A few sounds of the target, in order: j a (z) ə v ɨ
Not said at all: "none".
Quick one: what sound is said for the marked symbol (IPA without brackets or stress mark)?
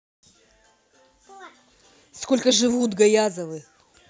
z